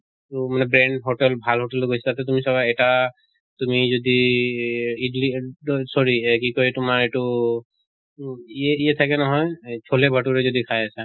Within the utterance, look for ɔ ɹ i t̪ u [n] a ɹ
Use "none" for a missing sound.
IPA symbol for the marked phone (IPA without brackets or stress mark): m